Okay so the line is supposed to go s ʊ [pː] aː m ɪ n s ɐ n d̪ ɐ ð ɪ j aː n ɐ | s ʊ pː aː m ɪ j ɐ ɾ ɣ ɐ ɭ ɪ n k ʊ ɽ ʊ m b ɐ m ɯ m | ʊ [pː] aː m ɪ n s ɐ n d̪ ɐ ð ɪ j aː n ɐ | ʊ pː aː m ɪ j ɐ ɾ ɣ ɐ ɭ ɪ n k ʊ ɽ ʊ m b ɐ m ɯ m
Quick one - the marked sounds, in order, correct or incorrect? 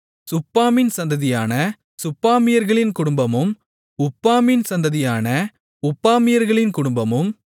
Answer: correct, correct

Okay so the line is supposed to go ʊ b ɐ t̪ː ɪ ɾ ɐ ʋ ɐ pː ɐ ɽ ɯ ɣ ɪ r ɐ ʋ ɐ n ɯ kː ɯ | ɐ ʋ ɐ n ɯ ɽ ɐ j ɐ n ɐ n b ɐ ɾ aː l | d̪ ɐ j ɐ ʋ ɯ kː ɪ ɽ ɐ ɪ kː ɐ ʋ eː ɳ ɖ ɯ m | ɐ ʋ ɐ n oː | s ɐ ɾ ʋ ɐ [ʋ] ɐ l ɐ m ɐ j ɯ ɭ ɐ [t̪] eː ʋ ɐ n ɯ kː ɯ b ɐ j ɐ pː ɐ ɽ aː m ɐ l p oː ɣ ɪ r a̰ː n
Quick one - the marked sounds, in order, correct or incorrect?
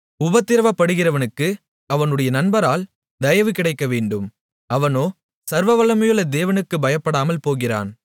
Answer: correct, incorrect

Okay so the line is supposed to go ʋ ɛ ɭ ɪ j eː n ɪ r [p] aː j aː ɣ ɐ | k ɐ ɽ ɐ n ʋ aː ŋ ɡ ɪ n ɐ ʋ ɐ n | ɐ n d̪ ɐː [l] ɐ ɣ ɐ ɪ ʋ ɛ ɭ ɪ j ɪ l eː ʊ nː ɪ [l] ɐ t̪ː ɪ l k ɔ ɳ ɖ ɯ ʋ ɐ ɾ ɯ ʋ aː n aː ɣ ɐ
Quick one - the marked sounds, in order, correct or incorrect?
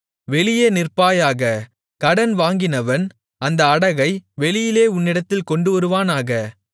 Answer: correct, incorrect, incorrect

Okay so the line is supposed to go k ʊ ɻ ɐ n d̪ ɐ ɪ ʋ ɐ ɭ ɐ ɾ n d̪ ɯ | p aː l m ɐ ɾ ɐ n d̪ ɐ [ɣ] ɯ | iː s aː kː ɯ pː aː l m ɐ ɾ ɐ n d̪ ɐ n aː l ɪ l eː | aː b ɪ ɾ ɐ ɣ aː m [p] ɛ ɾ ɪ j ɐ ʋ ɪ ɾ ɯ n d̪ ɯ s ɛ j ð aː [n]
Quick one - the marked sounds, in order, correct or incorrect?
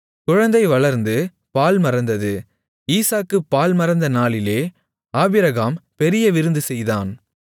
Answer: incorrect, correct, correct

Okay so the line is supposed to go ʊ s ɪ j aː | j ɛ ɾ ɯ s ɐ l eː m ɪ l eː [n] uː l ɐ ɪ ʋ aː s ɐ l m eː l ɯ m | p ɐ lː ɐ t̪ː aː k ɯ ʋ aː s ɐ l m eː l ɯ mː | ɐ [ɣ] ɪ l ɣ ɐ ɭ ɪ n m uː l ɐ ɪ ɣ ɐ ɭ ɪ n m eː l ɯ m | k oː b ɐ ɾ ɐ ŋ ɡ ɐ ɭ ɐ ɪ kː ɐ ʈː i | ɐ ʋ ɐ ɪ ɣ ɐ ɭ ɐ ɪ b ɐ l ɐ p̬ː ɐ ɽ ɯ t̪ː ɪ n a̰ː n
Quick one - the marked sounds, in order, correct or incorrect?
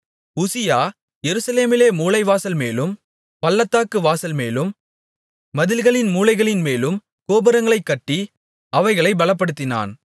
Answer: incorrect, incorrect

